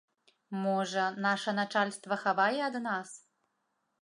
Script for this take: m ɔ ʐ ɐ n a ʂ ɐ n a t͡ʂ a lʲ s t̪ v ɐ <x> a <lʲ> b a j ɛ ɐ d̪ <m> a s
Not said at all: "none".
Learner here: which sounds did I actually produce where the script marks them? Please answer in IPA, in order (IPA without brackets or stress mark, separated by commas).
x, none, n